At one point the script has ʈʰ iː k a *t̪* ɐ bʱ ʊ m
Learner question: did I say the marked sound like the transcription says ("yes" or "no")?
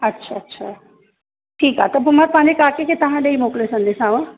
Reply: yes